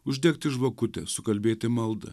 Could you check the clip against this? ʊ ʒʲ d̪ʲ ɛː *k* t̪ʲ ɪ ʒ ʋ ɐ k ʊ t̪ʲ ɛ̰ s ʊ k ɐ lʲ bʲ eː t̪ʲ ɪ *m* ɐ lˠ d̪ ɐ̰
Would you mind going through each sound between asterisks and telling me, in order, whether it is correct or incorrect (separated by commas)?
correct, correct